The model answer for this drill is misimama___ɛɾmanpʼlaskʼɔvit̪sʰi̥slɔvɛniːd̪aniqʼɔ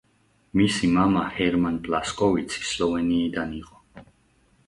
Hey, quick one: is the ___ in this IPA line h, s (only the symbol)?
h